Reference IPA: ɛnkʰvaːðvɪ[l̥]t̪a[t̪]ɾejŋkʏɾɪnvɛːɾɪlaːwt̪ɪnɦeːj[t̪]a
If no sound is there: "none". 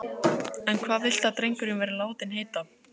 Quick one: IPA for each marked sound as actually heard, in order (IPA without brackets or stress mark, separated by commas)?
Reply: l̥, t̪, t̪